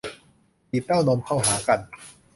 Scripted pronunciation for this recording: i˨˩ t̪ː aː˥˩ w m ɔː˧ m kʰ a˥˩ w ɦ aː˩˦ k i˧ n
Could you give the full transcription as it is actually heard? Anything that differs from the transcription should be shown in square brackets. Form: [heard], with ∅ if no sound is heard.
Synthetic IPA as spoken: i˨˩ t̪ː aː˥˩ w [n] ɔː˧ m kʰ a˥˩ w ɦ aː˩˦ k [a˧] n